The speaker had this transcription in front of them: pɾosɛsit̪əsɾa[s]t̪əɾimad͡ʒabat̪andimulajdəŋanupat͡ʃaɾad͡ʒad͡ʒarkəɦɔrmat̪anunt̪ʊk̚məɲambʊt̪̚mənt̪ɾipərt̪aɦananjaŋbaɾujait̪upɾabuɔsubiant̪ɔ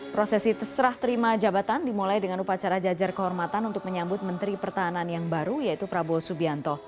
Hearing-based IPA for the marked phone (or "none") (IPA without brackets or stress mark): h